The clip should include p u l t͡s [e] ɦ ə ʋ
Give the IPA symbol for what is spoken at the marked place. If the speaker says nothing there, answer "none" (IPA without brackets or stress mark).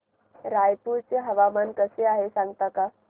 e